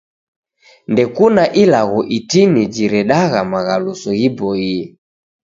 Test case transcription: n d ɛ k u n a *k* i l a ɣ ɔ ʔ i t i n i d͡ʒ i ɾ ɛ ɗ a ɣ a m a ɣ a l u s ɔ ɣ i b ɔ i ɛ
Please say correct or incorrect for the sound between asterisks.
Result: incorrect